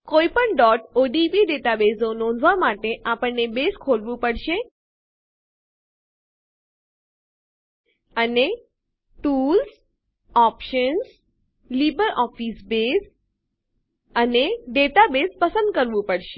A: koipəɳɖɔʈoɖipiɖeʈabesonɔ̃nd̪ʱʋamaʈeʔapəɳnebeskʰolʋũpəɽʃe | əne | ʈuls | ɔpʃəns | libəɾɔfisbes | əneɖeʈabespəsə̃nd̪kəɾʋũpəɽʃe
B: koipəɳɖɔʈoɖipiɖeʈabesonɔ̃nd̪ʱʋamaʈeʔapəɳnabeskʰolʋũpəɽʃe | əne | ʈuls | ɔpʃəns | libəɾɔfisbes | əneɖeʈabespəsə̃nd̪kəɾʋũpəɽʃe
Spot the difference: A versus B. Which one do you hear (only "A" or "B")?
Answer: A